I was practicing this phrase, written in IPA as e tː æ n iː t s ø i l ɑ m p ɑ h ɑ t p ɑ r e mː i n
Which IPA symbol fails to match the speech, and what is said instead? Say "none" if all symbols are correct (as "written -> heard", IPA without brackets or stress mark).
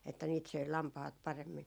none